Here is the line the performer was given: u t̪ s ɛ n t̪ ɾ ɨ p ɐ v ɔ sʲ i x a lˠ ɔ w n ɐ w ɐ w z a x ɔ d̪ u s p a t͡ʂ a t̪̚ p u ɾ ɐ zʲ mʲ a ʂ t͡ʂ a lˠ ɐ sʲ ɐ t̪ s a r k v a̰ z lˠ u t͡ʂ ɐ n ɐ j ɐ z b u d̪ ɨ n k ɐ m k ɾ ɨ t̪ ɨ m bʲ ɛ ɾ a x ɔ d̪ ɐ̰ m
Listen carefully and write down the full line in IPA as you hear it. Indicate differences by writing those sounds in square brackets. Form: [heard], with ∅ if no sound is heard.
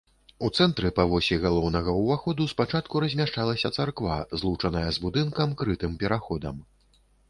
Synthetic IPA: u t̪ s ɛ n t̪ ɾ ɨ p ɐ v ɔ sʲ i [ɣ] a lˠ ɔ w n ɐ [ɣ] ɐ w [v] a x ɔ d̪ u s p a t͡ʂ a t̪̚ [k] u ɾ ɐ zʲ mʲ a ʂ t͡ʂ a lˠ ɐ sʲ ɐ t̪ s a r k v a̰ z lˠ u t͡ʂ ɐ n ɐ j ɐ z b u d̪ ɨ n k ɐ m k ɾ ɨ t̪ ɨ m [pʲ] ɛ ɾ a x ɔ d̪ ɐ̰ m